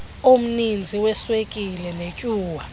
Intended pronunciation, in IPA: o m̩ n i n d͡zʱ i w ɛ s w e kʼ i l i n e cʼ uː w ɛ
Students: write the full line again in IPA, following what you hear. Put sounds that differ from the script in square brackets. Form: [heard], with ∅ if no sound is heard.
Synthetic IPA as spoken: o m̩ n i n d͡zʱ i w ɛ s w e kʼ i l [ɛ] n e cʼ uː w [a]